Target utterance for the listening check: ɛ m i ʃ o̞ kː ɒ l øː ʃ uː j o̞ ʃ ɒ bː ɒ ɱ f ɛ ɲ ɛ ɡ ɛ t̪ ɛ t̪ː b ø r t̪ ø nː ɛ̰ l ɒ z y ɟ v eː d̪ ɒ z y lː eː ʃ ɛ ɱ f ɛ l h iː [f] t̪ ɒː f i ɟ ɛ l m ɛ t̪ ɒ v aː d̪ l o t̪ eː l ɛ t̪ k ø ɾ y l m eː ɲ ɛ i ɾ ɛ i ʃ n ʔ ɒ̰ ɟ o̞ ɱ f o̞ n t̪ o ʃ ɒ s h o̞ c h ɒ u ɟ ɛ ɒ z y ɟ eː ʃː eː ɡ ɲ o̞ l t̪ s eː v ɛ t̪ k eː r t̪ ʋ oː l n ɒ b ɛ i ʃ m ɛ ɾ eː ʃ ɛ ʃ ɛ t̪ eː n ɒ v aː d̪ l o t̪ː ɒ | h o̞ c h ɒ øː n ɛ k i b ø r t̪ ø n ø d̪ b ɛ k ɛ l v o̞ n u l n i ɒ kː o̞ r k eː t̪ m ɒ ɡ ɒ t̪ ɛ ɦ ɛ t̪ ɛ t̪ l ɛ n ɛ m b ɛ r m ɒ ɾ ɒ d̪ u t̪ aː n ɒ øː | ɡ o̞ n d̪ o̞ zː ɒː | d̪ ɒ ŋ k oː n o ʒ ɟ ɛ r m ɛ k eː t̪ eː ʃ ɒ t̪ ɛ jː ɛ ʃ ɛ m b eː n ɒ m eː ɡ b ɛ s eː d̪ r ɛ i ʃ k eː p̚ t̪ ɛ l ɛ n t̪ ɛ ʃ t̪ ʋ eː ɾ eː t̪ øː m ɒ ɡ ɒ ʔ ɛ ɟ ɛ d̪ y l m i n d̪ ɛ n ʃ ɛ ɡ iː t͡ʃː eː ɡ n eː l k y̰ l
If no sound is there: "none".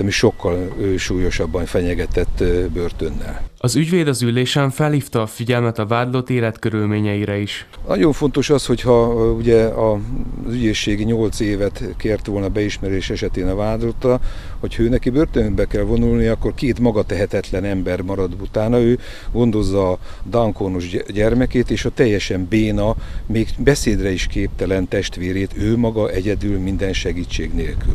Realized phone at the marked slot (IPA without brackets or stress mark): f